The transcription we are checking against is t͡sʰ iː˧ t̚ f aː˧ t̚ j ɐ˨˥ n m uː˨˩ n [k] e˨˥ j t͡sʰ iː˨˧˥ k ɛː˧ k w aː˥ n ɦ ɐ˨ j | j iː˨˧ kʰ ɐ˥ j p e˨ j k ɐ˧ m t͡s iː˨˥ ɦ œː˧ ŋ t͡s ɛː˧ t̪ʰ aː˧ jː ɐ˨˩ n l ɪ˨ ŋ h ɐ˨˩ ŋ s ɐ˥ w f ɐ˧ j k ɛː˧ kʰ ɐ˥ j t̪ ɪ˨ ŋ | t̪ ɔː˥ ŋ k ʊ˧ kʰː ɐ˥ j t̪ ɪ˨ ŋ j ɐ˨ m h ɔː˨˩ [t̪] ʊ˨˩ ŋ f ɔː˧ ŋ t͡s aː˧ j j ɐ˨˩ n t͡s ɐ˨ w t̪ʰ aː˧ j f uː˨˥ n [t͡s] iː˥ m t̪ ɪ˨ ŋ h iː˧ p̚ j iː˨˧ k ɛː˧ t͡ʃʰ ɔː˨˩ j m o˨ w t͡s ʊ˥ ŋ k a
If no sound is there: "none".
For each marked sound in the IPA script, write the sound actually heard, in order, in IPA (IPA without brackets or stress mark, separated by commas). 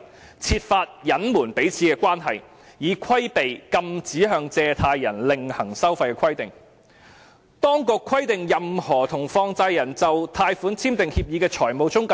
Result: p, t̪ʰ, t͡sʰ